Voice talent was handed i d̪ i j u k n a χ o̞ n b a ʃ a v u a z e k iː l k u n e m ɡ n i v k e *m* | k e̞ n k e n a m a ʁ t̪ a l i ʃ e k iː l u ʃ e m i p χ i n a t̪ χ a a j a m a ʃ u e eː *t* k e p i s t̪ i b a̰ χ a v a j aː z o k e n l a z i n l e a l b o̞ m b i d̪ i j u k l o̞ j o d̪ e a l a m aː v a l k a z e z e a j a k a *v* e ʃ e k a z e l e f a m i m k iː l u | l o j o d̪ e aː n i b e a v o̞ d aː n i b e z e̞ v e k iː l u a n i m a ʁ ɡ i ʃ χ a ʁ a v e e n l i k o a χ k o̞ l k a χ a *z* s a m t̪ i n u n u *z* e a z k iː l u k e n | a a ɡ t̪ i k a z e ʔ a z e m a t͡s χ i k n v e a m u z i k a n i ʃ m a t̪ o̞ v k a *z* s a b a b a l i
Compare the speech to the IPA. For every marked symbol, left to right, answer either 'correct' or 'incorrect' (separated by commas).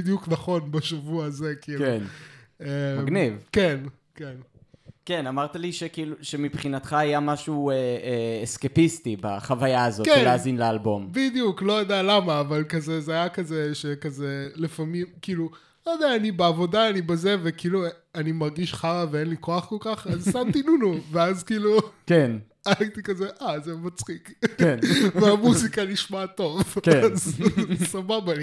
incorrect, incorrect, incorrect, correct, incorrect, correct